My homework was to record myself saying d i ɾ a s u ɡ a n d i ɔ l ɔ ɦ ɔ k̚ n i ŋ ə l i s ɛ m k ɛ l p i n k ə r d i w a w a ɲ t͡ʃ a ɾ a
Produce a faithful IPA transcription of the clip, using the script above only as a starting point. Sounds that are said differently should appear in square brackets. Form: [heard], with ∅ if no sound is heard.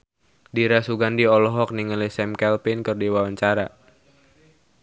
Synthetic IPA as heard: d i ɾ a s u ɡ a n d i ɔ l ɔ ɦ ɔ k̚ n i ŋ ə l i s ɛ m k ɛ l p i n k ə r d i w a w a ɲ t͡ʃ a ɾ a